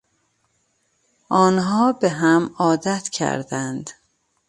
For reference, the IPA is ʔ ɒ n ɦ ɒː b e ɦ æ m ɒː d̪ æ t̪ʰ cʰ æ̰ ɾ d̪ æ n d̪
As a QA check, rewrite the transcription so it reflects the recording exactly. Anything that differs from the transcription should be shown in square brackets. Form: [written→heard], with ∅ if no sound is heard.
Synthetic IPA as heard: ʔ [ɒ→ɒː] n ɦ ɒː b e ɦ æ m ɒː d̪ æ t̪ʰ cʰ æ̰ ɾ d̪ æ n d̪